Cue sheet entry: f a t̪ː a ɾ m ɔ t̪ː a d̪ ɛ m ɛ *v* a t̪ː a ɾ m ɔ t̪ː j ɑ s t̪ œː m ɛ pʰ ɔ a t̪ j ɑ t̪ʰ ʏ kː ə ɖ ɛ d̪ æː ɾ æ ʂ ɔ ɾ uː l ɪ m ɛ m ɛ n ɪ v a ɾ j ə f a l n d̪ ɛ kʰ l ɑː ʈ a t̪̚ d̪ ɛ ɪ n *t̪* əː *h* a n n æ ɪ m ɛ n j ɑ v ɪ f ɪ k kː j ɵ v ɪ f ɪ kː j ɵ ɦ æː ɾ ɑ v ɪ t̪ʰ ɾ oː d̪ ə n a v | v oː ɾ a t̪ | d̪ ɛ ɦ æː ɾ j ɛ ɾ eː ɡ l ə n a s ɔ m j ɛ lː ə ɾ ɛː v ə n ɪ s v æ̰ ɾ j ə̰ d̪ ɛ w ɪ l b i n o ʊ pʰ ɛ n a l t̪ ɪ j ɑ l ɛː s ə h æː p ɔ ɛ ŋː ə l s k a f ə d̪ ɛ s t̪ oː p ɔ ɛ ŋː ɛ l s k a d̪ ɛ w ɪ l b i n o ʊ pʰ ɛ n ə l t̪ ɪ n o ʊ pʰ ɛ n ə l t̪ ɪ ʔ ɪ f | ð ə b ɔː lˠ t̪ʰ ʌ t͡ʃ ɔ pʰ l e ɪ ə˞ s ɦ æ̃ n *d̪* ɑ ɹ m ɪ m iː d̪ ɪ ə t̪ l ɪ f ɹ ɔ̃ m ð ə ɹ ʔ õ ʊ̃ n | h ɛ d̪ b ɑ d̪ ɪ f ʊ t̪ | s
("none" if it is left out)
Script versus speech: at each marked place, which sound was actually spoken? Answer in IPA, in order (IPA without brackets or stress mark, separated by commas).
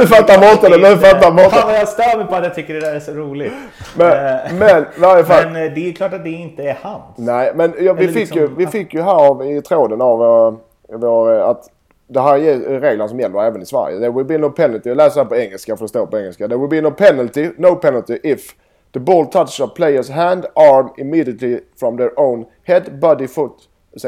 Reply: f, t̪, h, d̪